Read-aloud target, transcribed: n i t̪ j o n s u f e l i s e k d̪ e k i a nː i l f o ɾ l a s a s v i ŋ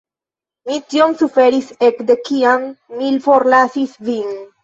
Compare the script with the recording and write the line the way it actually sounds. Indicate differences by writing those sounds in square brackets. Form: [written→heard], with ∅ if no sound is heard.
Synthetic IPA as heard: [n→m] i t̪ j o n s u f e [l→ɾ] i s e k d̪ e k i a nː i l f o ɾ l a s [a→i] s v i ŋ